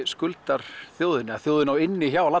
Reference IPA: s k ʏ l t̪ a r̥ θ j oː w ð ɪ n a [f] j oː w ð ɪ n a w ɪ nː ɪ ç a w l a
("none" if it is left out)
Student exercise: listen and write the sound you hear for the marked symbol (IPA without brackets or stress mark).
θ